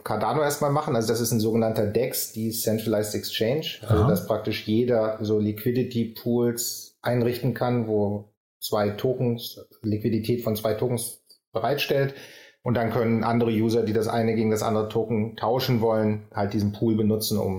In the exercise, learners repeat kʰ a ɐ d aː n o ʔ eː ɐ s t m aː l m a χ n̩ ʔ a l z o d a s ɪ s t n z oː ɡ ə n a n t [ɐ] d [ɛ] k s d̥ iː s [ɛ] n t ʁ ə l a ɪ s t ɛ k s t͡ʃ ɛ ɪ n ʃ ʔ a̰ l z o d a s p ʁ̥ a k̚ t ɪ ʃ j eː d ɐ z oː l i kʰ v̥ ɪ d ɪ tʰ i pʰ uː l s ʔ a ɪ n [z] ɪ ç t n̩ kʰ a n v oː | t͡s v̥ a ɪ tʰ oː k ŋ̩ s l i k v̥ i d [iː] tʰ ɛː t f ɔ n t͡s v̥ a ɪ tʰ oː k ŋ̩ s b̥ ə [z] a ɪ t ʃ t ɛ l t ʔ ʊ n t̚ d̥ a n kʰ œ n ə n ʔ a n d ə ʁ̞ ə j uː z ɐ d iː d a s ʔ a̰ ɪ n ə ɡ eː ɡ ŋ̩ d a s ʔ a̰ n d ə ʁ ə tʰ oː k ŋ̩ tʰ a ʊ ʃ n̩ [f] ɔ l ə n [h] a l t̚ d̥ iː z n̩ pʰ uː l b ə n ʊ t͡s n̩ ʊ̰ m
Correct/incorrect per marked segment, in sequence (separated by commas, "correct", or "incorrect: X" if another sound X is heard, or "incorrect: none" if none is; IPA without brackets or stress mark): correct, correct, correct, incorrect: ʁ, incorrect: i, incorrect: ʁ, incorrect: v, correct